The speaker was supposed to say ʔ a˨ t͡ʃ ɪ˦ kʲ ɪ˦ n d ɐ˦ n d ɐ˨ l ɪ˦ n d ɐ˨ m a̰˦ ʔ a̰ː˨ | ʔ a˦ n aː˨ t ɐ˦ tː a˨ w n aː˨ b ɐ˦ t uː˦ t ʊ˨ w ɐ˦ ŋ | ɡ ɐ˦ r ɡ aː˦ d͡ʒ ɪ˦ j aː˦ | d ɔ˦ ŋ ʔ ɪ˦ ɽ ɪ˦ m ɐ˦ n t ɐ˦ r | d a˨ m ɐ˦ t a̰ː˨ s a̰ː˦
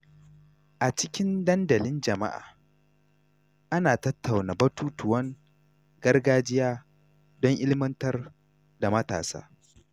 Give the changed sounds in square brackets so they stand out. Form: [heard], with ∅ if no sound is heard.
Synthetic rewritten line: ʔ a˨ t͡ʃ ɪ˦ kʲ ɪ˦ n d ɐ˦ n d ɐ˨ l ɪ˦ n [d͡ʒ] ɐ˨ m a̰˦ ʔ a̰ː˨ | ʔ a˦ n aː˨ t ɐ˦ tː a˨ w n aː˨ b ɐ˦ t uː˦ t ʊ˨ w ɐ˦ ŋ | ɡ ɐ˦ r ɡ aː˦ d͡ʒ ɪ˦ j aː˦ | d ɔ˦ ŋ ʔ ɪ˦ [l] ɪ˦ m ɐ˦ n t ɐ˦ r | d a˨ m ɐ˦ t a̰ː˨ s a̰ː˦